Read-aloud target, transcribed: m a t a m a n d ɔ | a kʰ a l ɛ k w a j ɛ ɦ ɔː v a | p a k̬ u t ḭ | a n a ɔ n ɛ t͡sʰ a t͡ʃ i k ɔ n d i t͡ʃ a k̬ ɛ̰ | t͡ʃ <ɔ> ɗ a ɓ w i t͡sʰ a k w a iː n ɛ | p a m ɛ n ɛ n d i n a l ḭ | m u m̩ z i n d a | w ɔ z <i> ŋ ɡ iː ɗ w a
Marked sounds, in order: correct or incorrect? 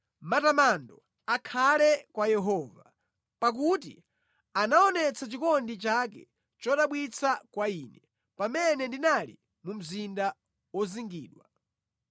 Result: correct, correct

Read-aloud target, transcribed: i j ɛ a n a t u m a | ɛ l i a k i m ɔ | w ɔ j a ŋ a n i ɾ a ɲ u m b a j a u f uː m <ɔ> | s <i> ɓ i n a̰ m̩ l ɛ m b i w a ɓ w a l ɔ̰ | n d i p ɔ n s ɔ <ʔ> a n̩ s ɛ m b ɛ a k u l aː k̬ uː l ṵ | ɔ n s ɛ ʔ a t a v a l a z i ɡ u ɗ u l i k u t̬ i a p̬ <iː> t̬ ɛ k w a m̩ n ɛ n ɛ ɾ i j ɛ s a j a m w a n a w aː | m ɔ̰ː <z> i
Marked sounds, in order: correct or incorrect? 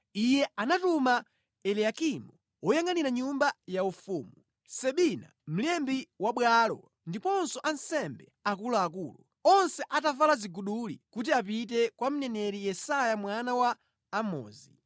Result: incorrect, incorrect, correct, incorrect, correct

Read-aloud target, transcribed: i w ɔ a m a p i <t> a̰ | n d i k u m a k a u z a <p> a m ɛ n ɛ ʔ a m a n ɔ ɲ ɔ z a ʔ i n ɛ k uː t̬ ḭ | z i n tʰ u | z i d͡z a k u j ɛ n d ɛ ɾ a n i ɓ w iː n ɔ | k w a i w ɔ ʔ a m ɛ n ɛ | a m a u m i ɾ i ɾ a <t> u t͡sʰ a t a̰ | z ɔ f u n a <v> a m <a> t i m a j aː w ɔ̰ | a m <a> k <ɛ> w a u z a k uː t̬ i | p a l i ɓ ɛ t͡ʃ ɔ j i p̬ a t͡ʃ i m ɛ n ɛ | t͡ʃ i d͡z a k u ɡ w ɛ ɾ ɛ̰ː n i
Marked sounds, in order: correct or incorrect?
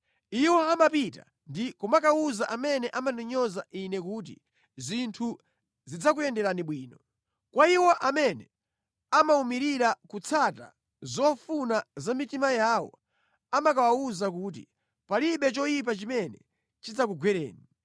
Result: correct, incorrect, incorrect, incorrect, incorrect, correct, incorrect

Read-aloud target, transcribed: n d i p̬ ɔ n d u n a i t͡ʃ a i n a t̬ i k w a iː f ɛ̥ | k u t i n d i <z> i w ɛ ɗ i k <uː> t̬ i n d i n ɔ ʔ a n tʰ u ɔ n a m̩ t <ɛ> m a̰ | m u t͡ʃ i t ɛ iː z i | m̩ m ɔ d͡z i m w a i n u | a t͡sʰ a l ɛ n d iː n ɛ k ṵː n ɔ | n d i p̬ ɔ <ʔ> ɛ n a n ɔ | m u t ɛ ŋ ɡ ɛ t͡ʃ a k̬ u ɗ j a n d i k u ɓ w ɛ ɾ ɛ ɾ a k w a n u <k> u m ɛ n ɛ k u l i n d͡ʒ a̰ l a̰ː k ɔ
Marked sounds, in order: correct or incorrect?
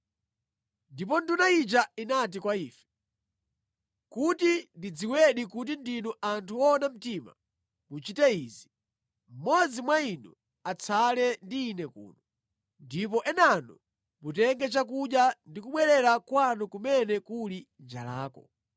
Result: incorrect, incorrect, incorrect, correct, correct

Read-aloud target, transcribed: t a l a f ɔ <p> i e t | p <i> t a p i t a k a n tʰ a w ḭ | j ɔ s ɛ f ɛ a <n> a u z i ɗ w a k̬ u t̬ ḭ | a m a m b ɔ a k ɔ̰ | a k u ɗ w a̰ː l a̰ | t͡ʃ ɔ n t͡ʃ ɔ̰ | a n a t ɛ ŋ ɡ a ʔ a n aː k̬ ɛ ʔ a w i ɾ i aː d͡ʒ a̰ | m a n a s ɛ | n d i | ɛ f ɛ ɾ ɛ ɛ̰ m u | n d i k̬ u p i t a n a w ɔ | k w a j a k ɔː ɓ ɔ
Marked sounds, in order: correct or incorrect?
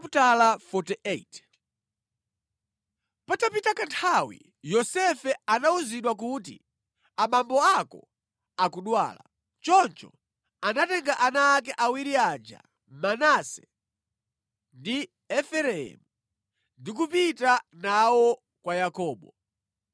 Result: incorrect, incorrect, correct

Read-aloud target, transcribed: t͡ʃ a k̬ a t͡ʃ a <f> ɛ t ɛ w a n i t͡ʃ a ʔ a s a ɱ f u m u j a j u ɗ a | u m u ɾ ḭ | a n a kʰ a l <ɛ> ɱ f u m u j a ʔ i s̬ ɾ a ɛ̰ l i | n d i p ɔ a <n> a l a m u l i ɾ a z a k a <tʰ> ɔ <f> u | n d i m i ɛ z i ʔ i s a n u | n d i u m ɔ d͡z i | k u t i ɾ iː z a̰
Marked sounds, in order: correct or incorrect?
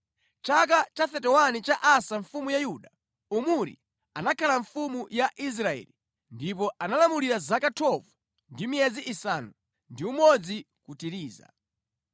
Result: incorrect, incorrect, correct, correct, incorrect

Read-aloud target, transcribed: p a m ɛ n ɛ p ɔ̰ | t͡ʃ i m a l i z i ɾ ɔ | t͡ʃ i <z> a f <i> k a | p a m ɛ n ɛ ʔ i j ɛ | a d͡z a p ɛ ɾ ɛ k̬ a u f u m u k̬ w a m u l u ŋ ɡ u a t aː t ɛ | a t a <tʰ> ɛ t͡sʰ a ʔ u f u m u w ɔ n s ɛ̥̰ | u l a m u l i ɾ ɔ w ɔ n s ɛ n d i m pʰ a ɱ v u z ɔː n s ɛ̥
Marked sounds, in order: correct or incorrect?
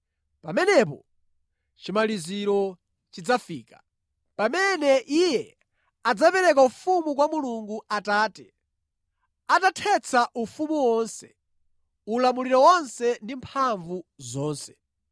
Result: incorrect, incorrect, correct

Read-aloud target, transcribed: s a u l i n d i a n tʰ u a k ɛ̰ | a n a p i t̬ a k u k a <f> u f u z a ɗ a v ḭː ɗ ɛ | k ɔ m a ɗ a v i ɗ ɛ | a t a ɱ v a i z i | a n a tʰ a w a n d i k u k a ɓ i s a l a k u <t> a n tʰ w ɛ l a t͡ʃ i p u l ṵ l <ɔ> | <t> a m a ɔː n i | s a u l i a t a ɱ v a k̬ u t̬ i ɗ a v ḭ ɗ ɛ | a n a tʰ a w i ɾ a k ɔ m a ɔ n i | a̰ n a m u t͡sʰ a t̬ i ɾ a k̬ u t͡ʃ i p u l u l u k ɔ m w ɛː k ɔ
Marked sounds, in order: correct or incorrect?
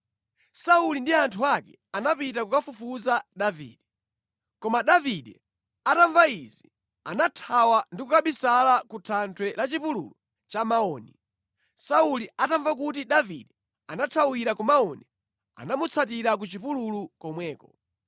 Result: correct, incorrect, incorrect, incorrect

